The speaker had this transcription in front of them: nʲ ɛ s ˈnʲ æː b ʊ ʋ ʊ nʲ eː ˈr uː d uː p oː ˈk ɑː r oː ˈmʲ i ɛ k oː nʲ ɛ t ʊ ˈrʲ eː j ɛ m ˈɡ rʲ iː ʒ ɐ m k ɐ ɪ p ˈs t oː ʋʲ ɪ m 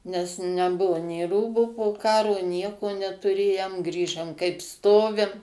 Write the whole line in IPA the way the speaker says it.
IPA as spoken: nʲ ɛ s ˈnʲ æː b ʊ ʋ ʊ nʲ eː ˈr uː b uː p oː ˈk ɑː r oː ˈnʲ i ɛ k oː nʲ ɛ t ʊ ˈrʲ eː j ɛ m ˈɡ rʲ iː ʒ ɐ m k ɐ ɪ p ˈs t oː ʋʲ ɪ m